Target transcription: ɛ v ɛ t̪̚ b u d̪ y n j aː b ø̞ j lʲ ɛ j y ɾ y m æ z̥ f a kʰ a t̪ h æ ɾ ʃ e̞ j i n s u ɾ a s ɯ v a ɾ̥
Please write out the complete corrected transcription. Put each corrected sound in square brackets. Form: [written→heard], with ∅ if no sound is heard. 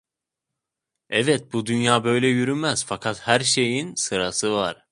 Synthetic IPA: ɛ v ɛ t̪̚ b u d̪ y n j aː b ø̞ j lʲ ɛ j y ɾ y m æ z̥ f a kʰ a t̪ h æ ɾ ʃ e̞ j i n s [u→ɯ] ɾ a s ɯ v a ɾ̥